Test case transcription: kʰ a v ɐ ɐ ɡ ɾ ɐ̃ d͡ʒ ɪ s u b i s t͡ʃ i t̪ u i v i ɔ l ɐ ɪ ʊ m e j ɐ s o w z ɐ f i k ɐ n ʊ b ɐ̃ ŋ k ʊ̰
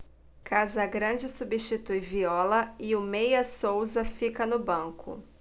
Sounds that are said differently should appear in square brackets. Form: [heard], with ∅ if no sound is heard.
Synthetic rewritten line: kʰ a [z] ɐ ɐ ɡ ɾ ɐ̃ d͡ʒ ɪ s u b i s t͡ʃ i t̪ u [j] v i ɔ l ɐ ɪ ʊ m e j ɐ s o w z ɐ f i k ɐ n ʊ b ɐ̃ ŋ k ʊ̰